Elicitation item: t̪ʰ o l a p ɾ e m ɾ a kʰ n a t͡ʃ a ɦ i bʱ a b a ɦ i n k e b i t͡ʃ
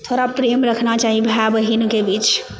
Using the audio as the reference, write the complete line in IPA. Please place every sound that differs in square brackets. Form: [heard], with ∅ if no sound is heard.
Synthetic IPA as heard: t̪ʰ o [ɾ] a p ɾ e m ɾ [ə] kʰ n a t͡ʃ a ɦ i bʱ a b [ə] ɦ i n k e b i t͡ʃ